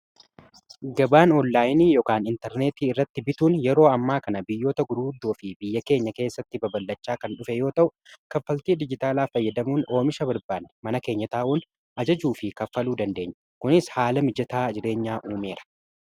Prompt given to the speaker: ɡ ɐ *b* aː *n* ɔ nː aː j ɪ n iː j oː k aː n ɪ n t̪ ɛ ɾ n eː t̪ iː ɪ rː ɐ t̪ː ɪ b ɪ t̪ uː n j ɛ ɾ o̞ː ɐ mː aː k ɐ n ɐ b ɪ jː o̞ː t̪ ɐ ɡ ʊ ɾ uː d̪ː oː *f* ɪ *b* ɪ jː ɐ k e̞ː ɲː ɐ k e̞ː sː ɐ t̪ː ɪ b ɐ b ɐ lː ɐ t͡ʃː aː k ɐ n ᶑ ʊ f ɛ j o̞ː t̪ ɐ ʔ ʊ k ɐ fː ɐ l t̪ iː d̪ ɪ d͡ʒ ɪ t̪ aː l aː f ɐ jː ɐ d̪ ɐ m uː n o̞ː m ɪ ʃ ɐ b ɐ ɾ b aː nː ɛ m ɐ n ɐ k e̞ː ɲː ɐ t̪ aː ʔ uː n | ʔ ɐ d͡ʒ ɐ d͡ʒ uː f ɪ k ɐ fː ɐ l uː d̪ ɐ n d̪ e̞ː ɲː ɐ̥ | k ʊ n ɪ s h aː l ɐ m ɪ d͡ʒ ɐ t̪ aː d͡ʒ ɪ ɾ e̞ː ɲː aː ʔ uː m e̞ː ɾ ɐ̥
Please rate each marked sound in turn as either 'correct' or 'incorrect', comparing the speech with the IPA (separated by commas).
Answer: correct, correct, correct, correct